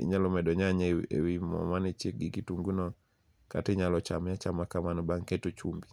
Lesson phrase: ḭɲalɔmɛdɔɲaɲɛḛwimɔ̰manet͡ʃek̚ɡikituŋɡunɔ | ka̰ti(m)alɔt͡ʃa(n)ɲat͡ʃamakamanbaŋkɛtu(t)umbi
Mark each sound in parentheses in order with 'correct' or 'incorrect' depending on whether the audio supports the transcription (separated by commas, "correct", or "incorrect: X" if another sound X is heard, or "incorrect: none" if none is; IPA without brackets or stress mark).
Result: incorrect: ɲ, incorrect: m, incorrect: t͡ʃ